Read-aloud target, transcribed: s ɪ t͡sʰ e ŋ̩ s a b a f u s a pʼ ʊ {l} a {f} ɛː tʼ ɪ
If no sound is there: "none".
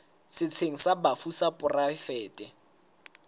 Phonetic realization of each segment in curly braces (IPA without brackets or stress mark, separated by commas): r, f